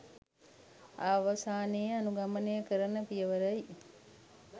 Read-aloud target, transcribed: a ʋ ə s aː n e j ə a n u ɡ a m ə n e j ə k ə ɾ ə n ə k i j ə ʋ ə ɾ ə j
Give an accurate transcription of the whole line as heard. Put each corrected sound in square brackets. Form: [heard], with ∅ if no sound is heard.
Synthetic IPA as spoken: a ʋ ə s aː n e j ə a n u ɡ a m ə n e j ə k ə ɾ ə n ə [p] i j ə ʋ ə ɾ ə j